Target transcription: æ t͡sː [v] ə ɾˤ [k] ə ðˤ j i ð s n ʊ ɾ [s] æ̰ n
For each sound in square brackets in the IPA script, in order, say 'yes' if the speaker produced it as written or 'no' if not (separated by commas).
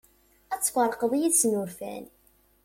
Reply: no, no, no